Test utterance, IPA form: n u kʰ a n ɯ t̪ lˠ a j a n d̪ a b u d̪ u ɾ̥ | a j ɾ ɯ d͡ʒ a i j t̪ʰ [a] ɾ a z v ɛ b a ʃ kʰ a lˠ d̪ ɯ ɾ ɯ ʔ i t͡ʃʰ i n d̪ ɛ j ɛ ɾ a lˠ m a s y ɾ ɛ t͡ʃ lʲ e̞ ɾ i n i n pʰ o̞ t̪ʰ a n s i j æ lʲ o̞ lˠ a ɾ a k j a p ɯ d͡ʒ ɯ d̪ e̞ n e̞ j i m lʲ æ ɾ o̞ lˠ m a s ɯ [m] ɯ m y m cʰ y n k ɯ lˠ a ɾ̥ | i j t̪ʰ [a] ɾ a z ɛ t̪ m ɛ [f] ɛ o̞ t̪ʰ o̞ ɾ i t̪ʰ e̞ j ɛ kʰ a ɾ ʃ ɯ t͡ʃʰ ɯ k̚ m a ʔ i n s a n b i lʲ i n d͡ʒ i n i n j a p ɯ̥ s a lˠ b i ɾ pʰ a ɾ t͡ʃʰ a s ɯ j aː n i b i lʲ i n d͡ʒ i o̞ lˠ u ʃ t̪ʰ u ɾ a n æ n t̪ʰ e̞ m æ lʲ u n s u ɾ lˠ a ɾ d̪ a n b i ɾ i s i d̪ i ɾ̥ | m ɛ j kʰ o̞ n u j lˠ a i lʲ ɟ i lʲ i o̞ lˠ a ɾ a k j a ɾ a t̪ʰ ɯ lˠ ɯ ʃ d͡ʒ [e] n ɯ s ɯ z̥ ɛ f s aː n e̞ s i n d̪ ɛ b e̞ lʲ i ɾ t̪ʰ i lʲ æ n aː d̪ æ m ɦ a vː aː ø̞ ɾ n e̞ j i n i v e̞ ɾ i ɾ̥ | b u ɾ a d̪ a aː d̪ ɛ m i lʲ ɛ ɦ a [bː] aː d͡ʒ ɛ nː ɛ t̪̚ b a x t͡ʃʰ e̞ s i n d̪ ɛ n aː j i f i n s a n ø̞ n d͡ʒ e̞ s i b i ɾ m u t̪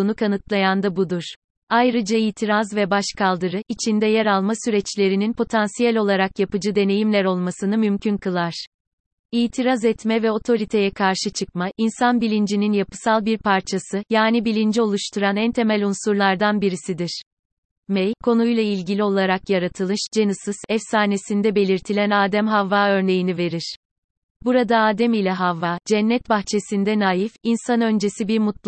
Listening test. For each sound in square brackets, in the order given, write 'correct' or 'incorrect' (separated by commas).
incorrect, incorrect, incorrect, incorrect, correct, incorrect